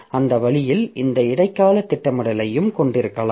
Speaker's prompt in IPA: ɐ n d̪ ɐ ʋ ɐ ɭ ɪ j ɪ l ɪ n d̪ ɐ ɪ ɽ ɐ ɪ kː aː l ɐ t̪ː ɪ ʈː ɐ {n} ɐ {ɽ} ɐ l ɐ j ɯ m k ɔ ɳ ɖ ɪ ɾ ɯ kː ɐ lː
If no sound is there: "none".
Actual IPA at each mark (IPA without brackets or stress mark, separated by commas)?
m, ɽ